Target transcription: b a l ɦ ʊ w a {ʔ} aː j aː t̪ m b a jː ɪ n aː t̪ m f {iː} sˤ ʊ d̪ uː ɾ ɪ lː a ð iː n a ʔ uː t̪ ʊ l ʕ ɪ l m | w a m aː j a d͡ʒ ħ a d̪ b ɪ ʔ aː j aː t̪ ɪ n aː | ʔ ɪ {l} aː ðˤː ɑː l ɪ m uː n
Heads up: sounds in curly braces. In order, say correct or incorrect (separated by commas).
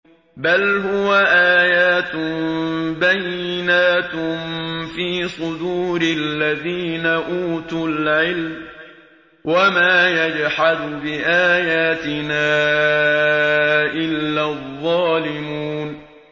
correct, correct, incorrect